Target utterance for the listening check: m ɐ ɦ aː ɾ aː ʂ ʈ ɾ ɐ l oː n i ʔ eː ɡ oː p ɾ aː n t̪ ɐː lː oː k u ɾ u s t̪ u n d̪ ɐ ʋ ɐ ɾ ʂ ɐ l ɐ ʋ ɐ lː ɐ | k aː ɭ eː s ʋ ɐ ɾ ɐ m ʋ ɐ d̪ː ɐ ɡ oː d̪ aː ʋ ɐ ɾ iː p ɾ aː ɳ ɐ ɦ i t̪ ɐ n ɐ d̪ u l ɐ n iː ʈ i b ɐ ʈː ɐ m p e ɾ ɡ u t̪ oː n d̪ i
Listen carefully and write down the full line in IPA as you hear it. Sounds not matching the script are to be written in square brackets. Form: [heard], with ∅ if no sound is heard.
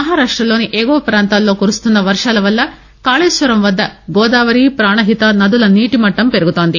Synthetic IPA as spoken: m ɐ ɦ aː ɾ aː ʂ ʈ ɾ ɐ l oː n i ʔ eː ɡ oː p ɾ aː n t̪ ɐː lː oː k u ɾ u s t̪ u n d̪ ɐ ʋ ɐ ɾ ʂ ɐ l ɐ ʋ ɐ lː ɐ | k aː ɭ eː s ʋ ɐ ɾ ɐ m ʋ ɐ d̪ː ɐ ɡ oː d̪ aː ʋ ɐ ɾ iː p ɾ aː ɳ ɐ ɦ i t̪ ɐ n ɐ d̪ u l ɐ n iː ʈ i [m] ɐ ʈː ɐ m p e ɾ ɡ u t̪ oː n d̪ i